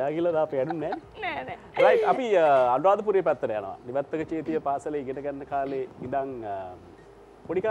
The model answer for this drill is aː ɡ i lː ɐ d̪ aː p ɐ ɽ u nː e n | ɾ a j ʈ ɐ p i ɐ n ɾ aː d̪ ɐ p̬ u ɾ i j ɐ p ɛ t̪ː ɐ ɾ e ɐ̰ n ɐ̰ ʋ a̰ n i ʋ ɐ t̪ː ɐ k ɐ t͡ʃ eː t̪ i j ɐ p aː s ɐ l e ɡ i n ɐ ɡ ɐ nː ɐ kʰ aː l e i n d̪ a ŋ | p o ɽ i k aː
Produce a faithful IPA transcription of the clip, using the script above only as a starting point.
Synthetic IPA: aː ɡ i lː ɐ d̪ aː p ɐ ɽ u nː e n | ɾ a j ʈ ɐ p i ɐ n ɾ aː d̪ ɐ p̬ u ɾ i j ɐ p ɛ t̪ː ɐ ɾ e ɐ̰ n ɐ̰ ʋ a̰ n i ʋ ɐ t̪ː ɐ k ɐ t͡ʃ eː t̪ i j ɐ p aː s ɐ l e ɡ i n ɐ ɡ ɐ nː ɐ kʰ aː l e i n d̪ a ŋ | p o ɽ i k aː